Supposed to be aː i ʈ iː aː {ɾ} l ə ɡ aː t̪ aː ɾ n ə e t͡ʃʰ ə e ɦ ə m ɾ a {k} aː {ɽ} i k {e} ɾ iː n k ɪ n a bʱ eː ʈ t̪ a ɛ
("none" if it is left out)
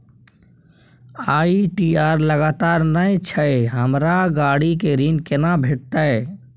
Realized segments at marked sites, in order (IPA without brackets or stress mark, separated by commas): ɾ, ɡ, ɽ, e